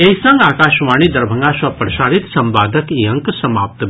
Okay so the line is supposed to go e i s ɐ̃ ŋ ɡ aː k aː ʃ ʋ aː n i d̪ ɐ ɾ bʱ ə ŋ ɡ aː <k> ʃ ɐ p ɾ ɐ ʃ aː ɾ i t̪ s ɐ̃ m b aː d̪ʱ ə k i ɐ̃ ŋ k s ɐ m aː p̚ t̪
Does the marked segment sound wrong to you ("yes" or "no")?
yes